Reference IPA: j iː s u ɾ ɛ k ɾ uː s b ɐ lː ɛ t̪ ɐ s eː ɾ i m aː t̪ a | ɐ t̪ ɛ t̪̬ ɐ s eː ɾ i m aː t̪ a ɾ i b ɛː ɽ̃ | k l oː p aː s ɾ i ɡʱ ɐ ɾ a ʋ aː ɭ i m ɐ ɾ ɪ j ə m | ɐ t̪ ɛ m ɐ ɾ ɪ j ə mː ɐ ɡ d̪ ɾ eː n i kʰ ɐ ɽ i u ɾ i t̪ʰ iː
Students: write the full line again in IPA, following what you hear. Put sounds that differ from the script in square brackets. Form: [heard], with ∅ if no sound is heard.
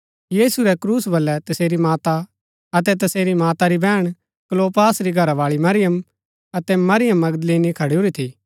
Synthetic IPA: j iː s u ɾ ɛ k ɾ uː s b ɐ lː ɛ t̪ ɐ s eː ɾ i m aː t̪ a | ɐ t̪ ɛ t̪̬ ɐ s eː ɾ i m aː t̪ a ɾ i b ɛː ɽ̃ | k l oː p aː s ɾ i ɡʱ ɐ ɾ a ʋ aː ɭ i m ɐ ɾ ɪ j ə m | ɐ t̪ ɛ m ɐ ɾ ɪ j ə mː ɐ ɡ d̪ [l] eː n i kʰ ɐ ɽ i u ɾ i t̪ʰ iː